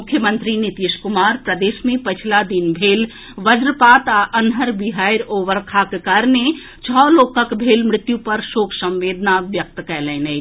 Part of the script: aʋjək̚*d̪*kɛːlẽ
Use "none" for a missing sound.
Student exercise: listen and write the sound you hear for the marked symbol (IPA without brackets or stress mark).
t̪